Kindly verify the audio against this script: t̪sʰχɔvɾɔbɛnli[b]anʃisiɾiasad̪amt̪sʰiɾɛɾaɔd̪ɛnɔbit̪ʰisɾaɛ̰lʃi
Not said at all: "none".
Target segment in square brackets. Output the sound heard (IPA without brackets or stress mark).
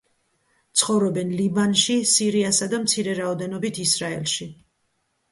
b